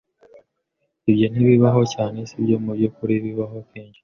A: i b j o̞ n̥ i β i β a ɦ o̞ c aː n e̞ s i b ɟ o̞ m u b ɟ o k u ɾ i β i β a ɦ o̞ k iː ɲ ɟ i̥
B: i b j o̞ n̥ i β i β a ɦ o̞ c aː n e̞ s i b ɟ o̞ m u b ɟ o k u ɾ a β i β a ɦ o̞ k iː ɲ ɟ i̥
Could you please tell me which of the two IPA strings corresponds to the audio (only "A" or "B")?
A